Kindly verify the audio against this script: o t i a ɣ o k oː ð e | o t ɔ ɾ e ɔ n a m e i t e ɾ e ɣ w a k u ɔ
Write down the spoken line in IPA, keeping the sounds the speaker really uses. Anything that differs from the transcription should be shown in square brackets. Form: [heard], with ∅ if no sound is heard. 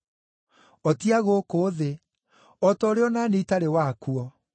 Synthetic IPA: [ɔ] t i a ɣ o k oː ð e | [ɔ] t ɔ ɾ e ɔ n a [n] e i t [a] ɾ e [∅] w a k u ɔ